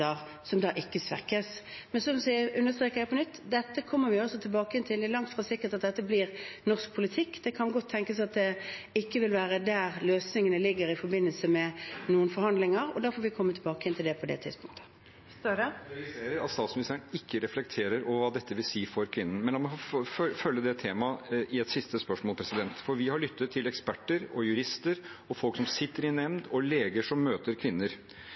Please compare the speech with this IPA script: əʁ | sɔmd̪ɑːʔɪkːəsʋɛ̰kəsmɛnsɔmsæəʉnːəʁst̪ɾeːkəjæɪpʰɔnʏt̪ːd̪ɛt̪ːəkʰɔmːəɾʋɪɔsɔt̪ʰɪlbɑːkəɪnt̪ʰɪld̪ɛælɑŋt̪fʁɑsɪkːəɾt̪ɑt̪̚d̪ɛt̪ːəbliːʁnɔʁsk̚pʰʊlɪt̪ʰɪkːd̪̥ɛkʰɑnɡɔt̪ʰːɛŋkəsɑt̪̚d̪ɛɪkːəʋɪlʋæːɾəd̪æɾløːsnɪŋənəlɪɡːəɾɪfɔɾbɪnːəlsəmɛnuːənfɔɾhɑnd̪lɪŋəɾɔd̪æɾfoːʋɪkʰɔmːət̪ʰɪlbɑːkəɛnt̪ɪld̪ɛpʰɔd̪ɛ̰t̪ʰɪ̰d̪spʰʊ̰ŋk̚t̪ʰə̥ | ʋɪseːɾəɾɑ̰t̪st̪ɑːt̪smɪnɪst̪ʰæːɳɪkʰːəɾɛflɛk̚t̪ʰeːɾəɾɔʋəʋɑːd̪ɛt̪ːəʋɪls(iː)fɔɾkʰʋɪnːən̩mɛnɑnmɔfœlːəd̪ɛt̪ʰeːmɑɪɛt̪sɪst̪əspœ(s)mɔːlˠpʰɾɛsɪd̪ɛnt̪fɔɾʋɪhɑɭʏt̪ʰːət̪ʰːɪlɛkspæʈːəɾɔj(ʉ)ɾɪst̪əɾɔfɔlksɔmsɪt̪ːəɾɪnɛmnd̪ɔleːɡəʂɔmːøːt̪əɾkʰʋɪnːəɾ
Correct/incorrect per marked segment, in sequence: correct, incorrect, correct

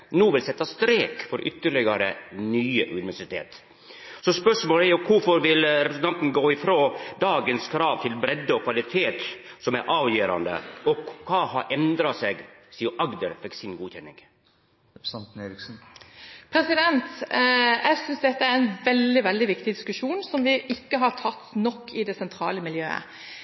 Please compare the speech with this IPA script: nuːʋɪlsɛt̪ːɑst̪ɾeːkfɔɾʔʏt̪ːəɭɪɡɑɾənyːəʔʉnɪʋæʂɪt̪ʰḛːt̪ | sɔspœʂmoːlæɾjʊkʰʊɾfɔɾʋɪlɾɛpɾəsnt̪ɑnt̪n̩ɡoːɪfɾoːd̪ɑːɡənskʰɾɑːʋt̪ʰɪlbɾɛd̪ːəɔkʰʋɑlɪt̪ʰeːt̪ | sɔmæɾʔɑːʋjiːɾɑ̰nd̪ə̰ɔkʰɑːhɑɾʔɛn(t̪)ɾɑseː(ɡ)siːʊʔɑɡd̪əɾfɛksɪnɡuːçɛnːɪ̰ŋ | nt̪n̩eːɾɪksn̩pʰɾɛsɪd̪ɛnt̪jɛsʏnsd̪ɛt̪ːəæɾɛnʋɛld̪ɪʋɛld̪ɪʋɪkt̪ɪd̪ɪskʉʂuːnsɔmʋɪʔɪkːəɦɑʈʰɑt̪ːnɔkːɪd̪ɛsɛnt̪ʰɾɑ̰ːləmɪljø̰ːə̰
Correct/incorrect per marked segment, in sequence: incorrect, correct

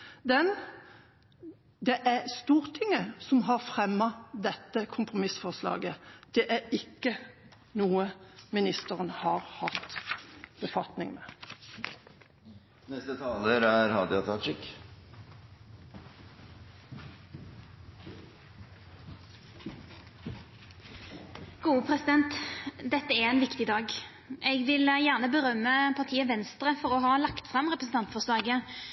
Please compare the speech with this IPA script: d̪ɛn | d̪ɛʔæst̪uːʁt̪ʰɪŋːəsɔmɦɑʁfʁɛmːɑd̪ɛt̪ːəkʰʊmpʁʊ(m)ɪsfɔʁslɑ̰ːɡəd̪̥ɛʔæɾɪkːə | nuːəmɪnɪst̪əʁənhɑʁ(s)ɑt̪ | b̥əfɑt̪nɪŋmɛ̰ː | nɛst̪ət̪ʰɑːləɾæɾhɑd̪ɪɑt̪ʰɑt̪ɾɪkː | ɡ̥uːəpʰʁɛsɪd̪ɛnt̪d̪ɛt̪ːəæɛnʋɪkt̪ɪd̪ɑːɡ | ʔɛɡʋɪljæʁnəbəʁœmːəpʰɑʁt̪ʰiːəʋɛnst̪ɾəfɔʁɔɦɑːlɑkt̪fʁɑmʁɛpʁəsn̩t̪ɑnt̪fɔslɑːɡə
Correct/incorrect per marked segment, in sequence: correct, incorrect

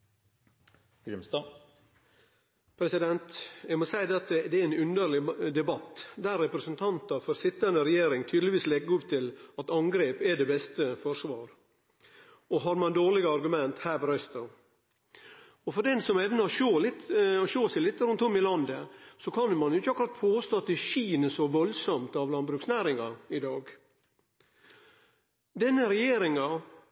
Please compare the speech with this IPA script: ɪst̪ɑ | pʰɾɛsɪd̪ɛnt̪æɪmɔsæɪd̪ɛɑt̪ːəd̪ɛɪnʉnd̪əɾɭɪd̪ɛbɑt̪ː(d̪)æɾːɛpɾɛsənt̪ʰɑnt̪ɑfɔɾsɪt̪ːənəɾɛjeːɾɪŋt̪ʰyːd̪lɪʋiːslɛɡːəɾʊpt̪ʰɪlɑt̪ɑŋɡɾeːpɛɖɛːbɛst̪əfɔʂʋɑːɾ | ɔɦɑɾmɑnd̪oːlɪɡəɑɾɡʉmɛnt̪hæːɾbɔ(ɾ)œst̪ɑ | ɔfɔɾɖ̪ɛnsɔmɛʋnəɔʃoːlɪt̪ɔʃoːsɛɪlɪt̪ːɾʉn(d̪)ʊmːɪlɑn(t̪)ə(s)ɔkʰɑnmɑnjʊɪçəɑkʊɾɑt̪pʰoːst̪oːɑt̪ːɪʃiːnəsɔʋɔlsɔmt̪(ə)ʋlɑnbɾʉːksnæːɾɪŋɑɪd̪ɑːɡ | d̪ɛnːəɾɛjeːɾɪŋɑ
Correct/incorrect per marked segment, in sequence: correct, correct, incorrect, incorrect, correct, incorrect

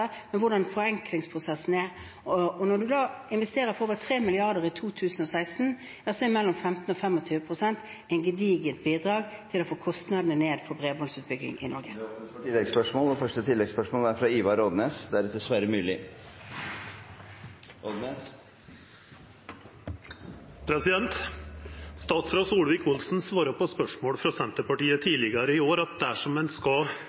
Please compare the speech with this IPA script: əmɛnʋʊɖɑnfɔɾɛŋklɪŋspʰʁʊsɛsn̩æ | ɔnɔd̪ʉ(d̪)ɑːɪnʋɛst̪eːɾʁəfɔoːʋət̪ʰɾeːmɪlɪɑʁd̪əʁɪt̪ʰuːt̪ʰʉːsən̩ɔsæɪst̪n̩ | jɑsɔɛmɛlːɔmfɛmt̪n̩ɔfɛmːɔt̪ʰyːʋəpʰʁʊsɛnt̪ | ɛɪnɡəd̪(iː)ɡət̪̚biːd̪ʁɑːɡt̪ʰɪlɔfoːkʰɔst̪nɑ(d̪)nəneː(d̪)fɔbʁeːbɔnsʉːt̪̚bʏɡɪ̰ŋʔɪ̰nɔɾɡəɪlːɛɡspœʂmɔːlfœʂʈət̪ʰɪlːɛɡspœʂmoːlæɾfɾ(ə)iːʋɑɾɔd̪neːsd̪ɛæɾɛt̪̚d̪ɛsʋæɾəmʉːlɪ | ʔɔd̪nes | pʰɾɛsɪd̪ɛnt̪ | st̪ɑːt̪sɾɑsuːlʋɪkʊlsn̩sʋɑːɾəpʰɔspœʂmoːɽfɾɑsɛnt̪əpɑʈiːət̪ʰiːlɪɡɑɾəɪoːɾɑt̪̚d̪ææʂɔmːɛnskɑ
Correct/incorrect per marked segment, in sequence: correct, correct, correct, correct, incorrect

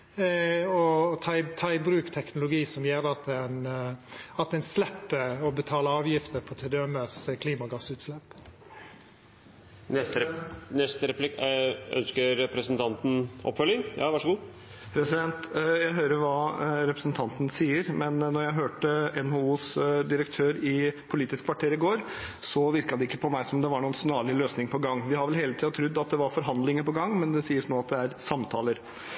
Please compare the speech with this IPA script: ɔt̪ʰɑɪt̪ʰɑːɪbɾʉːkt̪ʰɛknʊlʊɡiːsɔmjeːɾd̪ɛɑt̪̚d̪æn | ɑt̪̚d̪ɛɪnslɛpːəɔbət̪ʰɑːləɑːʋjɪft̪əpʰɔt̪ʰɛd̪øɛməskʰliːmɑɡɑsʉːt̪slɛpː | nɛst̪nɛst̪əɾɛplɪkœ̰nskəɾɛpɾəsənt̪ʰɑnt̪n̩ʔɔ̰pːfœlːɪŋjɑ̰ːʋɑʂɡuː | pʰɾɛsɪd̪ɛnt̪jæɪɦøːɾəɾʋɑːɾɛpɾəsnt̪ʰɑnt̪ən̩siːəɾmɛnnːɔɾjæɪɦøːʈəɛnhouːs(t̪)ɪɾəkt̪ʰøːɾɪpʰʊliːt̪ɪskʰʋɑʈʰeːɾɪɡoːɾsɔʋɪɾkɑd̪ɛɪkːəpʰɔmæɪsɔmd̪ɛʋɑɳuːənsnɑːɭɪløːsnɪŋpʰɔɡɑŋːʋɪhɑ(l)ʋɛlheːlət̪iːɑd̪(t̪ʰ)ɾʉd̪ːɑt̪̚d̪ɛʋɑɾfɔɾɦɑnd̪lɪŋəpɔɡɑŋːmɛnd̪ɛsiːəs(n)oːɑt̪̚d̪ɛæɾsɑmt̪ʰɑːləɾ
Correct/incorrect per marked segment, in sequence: incorrect, incorrect, correct, correct

